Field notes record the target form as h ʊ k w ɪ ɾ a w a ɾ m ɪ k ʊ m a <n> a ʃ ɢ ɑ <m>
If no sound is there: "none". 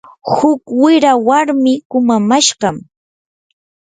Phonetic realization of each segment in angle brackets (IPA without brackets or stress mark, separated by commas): m, m